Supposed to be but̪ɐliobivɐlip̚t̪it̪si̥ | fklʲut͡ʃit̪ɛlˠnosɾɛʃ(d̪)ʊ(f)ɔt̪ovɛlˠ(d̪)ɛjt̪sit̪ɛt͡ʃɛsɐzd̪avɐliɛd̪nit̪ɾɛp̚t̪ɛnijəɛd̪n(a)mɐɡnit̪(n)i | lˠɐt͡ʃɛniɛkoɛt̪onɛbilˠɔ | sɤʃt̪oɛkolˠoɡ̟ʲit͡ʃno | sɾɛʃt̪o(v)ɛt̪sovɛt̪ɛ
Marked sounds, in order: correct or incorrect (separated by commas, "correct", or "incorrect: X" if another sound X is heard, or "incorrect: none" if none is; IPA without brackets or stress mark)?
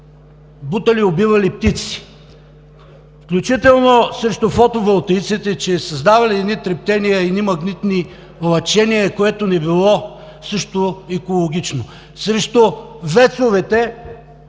incorrect: t̪, correct, incorrect: t̪, incorrect: i, correct, correct